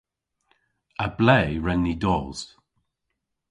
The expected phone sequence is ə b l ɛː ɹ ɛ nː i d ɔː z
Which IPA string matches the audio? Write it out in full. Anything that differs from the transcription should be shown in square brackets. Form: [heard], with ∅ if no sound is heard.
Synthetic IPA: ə b l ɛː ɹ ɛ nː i d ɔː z